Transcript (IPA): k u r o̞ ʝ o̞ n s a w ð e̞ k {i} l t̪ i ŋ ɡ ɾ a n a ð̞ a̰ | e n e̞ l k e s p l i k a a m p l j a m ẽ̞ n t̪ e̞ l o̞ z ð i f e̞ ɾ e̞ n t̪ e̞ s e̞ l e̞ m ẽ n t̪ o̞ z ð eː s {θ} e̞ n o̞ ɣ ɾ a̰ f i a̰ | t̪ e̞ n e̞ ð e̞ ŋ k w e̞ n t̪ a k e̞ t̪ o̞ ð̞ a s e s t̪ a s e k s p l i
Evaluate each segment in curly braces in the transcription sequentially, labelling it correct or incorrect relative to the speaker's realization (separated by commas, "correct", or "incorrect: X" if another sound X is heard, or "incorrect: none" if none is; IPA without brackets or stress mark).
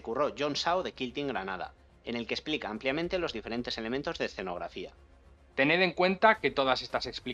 correct, correct